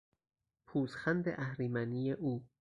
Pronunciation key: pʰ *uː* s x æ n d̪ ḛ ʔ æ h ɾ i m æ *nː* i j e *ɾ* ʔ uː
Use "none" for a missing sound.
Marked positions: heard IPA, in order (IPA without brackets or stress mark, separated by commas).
uː, n, none